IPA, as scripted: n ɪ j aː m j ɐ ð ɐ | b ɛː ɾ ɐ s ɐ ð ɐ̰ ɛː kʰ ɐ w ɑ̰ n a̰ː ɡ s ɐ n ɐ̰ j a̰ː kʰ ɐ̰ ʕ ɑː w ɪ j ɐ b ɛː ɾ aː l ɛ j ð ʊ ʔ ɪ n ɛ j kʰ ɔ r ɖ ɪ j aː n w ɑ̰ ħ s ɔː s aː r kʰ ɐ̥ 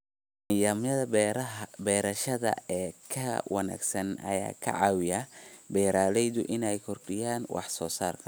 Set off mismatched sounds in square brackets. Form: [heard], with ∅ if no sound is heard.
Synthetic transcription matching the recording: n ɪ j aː m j ɐ ð ɐ | b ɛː ɾ ɐ [ʃ] ɐ ð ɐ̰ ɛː kʰ ɐ w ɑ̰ n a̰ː ɡ s ɐ n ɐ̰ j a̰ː kʰ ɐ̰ ʕ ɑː w ɪ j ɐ b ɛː ɾ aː l ɛ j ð ʊ ʔ ɪ n ɛ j kʰ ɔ r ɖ ɪ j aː n w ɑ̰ ħ s ɔː s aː r kʰ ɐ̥